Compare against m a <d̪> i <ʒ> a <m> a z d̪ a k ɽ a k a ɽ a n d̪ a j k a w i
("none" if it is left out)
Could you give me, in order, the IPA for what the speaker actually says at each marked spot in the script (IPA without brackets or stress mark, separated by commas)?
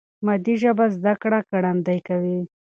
d̪, ʒ, b